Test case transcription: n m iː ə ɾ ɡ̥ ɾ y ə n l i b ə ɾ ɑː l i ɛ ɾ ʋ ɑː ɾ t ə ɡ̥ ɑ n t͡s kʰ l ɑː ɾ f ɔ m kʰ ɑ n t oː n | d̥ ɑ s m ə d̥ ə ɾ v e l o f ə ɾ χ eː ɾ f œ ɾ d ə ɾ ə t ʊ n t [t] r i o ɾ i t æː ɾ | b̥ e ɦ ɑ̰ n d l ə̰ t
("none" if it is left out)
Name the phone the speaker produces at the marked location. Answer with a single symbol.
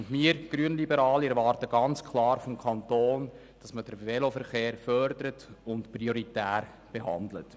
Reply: p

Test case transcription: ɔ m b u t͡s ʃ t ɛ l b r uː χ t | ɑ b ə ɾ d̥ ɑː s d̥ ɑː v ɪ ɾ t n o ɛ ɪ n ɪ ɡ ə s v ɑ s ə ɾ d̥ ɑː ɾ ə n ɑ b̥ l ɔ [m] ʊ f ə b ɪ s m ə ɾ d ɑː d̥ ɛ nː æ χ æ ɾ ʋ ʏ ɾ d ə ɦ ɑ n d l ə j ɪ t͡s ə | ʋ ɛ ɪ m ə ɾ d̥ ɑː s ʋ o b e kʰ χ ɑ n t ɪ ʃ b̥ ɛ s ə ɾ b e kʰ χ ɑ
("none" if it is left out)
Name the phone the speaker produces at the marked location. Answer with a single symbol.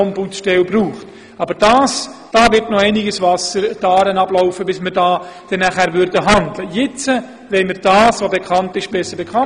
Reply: none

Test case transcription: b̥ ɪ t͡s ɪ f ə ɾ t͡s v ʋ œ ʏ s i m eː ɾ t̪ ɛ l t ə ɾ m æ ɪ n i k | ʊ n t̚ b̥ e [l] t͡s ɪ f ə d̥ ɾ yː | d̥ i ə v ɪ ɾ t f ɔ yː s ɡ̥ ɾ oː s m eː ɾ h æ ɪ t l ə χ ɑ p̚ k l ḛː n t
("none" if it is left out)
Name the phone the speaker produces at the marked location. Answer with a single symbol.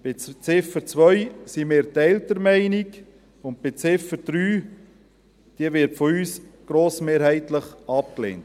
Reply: none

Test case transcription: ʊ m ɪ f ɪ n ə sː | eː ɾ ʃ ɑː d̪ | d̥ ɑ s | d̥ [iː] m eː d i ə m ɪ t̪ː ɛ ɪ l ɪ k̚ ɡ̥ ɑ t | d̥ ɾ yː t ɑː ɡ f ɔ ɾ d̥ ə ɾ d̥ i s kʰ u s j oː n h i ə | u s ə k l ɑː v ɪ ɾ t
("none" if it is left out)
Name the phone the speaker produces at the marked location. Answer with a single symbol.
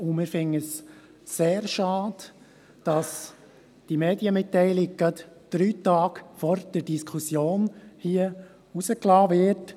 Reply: i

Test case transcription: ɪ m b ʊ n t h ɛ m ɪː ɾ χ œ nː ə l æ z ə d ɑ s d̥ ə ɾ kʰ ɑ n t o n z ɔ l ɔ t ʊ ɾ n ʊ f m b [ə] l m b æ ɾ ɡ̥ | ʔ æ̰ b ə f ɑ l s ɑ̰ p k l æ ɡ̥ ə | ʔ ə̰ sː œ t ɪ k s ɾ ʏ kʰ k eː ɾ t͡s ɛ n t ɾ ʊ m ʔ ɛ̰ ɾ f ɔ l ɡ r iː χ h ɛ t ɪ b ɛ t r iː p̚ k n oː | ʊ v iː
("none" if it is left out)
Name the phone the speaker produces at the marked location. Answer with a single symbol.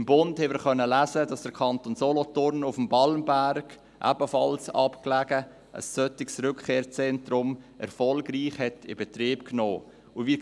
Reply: ɑ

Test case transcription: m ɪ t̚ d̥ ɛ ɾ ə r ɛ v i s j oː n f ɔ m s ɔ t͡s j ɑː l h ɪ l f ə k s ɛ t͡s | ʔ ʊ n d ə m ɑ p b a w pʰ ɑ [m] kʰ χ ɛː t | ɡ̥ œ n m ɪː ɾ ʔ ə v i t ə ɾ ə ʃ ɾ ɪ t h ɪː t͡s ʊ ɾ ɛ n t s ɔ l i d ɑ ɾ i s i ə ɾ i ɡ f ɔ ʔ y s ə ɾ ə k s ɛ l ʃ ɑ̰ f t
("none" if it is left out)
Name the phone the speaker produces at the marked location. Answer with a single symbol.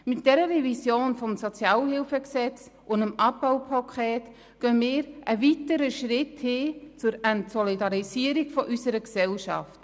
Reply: none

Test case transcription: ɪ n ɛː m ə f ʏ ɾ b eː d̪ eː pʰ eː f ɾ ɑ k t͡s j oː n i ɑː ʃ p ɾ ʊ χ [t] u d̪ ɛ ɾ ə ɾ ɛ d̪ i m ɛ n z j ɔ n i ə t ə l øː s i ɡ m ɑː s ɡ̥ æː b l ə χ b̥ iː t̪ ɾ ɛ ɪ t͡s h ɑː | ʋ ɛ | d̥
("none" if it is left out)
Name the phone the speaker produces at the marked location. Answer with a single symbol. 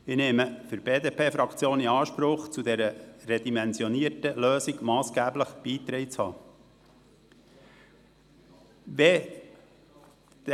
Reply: t͡s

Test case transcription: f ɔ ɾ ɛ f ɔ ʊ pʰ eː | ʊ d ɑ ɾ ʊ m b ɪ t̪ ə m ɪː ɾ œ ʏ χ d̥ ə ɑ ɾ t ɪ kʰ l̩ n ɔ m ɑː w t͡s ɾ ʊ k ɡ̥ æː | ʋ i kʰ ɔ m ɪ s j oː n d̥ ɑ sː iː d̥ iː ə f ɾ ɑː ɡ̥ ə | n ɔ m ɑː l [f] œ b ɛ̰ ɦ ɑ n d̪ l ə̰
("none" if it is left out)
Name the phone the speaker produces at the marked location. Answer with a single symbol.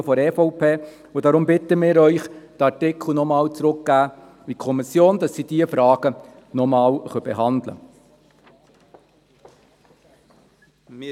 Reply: χ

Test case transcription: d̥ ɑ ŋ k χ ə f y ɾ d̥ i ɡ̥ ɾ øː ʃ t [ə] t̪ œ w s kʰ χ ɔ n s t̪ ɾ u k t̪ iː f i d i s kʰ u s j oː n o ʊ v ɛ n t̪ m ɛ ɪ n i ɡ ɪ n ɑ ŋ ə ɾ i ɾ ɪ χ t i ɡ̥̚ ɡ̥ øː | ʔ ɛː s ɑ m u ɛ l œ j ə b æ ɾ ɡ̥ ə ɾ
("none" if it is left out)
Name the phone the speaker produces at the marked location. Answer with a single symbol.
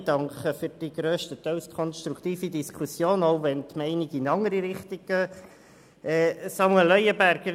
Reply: ə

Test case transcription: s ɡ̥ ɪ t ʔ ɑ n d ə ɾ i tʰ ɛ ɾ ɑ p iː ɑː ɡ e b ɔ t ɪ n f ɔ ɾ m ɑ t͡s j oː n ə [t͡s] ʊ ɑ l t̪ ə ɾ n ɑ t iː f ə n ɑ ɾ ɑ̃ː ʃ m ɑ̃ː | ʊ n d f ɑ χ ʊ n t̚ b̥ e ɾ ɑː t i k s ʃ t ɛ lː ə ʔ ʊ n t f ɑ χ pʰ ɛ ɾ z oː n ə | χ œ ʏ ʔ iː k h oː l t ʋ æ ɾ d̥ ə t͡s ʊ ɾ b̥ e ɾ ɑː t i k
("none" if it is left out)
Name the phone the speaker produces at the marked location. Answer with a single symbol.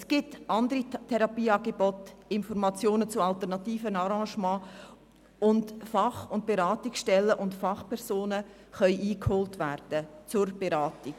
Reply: t͡s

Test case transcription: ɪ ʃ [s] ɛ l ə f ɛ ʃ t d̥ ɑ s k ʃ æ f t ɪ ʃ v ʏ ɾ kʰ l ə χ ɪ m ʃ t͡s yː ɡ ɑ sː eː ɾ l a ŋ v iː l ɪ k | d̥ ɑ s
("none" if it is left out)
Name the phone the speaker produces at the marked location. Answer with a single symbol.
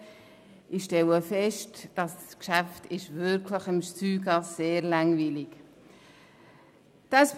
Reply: t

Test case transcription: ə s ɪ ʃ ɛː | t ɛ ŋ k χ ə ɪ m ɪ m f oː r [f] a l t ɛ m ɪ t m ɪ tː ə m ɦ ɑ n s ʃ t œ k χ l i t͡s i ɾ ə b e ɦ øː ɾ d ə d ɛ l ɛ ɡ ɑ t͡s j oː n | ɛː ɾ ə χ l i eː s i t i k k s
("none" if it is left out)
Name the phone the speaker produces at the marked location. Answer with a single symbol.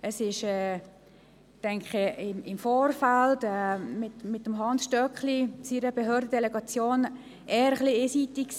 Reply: f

